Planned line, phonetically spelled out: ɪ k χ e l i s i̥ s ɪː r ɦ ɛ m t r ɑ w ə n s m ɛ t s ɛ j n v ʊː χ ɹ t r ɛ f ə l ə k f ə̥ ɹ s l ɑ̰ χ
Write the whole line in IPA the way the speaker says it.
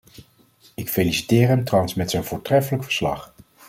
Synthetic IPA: ɪ k f e l i s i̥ t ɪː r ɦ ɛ m t r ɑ w ə n s m ɛ t s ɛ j n v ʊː ɹ t r ɛ f ə l ə k f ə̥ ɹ s l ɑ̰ χ